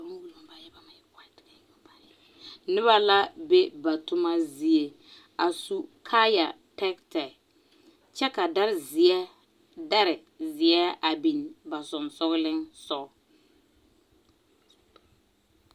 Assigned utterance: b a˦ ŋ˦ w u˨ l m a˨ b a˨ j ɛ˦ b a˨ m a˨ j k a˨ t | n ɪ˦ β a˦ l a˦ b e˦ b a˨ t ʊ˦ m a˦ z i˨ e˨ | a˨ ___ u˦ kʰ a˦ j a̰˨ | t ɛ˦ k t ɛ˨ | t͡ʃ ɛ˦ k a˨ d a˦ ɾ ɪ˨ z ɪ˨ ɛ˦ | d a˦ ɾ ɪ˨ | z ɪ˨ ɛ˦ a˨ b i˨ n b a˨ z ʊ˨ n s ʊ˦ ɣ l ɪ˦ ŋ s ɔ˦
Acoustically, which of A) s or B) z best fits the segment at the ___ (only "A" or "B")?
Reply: A